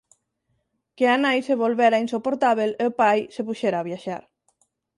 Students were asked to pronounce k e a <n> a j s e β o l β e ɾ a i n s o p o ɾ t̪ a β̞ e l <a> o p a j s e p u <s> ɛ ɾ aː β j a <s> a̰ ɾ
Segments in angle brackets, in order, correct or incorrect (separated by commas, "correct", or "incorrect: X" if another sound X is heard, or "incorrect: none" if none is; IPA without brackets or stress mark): correct, incorrect: e, incorrect: ʃ, incorrect: ʃ